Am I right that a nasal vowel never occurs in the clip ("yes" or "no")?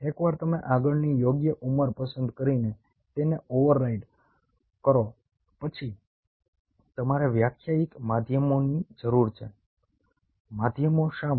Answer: yes